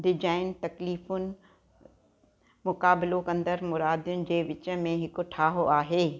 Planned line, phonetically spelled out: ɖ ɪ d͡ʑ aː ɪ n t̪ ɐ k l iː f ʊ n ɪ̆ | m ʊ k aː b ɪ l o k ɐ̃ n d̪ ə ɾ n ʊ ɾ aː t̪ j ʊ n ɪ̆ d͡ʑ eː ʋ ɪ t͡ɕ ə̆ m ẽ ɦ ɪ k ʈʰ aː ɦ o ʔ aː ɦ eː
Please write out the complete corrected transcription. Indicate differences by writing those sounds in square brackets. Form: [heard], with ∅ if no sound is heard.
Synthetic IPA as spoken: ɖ ɪ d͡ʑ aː ɪ n t̪ ɐ k l iː f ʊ n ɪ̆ | m ʊ k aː b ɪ l o k ɐ̃ n d̪ ə ɾ [m] ʊ ɾ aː [d̪] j ʊ n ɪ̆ d͡ʑ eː ʋ ɪ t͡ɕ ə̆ m ẽ ɦ ɪ k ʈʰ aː ɦ o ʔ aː ɦ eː